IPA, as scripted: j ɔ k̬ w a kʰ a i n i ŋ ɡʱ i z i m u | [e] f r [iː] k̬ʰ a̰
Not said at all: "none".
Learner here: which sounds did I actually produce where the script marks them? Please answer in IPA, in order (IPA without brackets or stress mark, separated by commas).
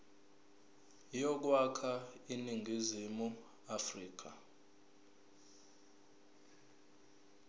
a, iː